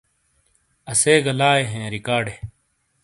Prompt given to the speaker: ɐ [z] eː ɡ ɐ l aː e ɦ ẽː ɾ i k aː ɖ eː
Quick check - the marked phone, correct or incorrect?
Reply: incorrect